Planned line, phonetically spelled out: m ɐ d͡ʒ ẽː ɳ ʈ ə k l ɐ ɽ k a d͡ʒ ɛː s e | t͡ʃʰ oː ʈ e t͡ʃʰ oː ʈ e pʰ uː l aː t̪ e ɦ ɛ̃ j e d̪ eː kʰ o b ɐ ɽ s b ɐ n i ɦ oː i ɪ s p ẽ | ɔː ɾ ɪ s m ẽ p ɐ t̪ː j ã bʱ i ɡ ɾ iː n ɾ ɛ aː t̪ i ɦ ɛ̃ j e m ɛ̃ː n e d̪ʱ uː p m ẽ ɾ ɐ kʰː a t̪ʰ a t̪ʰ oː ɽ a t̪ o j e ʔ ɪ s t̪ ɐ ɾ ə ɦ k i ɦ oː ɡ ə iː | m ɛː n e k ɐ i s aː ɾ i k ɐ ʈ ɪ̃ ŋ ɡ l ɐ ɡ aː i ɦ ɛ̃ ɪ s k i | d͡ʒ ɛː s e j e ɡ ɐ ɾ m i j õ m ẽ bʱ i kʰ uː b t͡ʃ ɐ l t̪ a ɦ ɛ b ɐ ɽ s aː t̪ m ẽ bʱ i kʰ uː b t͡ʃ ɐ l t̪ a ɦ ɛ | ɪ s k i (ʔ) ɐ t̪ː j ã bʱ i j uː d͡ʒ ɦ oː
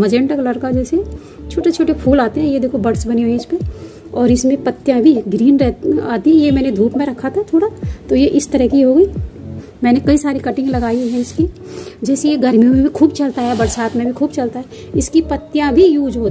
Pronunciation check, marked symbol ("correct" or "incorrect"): incorrect